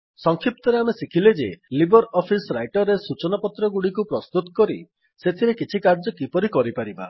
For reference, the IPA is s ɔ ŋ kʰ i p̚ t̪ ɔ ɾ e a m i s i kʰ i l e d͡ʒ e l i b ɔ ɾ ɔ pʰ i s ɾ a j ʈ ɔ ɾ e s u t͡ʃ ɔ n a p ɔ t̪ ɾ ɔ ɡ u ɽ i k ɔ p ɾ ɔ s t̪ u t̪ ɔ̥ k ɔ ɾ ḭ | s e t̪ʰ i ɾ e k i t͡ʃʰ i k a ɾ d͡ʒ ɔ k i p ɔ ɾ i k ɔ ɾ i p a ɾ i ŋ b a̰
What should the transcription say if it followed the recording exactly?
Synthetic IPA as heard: s ɔ ŋ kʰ i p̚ t̪ ɔ ɾ e a m e s i kʰ i l e d͡ʒ e l i b ɔ ɾ ɔ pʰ i s ɾ a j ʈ ɔ ɾ e s u t͡ʃ ɔ n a p ɔ t̪ ɾ ɔ ɡ u ɽ i k u p ɾ ɔ s t̪ u t̪ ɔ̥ k ɔ ɾ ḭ | s e t̪ʰ i ɾ e k i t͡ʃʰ i k a ɾ d͡ʒ ɔ k i p ɔ ɾ i k ɔ ɾ i p a ɾ i b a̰

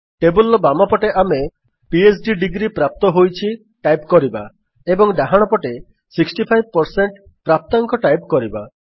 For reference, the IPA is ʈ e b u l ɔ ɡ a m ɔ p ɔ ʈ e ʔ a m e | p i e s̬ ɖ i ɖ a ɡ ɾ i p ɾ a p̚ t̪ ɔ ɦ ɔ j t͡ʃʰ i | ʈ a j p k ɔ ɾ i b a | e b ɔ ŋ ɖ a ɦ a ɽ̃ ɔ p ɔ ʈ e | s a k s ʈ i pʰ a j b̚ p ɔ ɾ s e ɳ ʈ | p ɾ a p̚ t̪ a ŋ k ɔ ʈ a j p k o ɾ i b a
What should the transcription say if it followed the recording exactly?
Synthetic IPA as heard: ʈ e b u l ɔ b a m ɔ p ɔ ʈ e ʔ a m e | p i e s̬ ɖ i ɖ i ɡ ɾ i p ɾ a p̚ t̪ ɔ ɦ o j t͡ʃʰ i | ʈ a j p k ɔ ɾ i b a | e b ɔ ŋ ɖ a ɦ a ɽ̃ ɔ p ɔ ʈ e | s i k s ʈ i pʰ a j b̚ p ɔ ɾ s e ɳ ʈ | p ɾ a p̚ t̪ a ŋ k ɔ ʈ a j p k ɔ ɾ i b a

